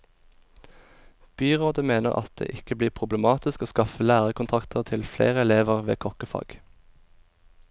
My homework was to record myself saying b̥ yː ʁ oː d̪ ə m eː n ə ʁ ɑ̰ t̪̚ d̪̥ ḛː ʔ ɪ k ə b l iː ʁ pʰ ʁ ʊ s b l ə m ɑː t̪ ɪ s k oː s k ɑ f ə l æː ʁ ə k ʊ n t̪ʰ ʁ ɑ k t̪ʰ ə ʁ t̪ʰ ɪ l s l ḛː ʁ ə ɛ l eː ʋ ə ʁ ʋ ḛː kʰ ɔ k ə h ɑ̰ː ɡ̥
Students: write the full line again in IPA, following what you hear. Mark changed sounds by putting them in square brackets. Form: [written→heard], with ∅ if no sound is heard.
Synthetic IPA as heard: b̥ yː ʁ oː d̪ ə m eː n ə ʁ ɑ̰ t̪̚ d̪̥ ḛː ʔ ɪ k ə b l iː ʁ pʰ ʁ ʊ [s→∅] b l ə m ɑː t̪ ɪ s k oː s k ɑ f ə l æː ʁ ə k ʊ n t̪ʰ ʁ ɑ k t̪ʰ ə ʁ t̪ʰ ɪ l [s→f] l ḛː ʁ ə ɛ l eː ʋ ə ʁ ʋ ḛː kʰ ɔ k ə [h→f] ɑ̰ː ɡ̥